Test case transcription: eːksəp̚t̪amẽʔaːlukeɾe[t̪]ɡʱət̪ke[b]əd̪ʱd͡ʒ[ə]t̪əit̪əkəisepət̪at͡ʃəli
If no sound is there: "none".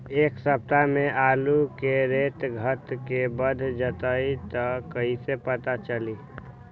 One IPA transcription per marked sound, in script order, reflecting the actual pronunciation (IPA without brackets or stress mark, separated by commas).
t̪, b, ə